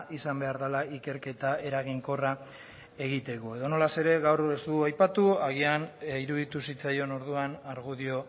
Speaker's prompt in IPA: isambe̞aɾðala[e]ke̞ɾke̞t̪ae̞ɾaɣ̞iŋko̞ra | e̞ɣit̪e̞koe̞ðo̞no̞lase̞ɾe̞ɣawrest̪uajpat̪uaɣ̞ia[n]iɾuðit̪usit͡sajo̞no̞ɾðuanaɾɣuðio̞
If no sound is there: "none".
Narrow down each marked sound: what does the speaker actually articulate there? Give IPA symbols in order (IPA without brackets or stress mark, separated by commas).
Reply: i, n